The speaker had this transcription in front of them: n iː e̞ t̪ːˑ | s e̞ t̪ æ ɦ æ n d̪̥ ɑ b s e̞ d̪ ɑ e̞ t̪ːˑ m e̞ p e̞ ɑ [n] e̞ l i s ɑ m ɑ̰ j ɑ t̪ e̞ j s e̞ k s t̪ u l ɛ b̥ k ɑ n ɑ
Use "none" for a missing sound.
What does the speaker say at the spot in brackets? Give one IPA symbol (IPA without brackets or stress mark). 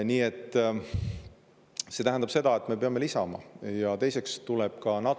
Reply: m